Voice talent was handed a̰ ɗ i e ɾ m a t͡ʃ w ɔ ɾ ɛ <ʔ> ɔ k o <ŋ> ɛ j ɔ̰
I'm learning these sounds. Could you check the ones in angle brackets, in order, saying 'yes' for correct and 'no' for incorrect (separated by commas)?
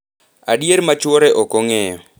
yes, yes